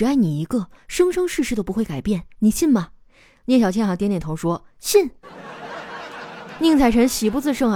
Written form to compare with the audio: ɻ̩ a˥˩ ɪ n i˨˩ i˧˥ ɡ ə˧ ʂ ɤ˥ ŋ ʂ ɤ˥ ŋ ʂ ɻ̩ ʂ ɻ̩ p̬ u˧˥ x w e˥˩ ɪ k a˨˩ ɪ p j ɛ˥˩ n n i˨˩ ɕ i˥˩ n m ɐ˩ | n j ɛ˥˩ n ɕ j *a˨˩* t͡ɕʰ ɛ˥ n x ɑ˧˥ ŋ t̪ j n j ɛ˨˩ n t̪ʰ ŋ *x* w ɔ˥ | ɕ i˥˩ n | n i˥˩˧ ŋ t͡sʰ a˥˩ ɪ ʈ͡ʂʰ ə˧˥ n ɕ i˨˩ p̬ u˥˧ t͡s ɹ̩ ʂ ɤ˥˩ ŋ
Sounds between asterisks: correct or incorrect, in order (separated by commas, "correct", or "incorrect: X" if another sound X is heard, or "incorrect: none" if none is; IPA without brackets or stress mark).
incorrect: ɑ˨˩, incorrect: ʂ